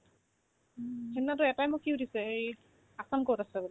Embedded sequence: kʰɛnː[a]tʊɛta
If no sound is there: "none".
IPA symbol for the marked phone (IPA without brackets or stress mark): a